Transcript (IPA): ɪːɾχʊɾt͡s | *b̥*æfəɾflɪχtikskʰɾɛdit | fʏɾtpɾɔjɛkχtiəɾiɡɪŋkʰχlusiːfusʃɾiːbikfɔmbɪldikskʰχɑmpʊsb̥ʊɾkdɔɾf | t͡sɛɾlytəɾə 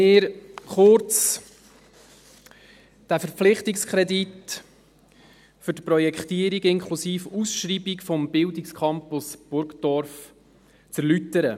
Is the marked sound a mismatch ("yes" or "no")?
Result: yes